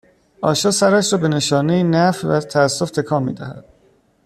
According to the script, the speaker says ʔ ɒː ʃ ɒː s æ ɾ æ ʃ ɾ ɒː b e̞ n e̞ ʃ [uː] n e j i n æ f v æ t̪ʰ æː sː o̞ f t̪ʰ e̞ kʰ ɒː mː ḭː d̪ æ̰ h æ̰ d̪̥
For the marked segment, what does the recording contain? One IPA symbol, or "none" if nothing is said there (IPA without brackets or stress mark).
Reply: ɒː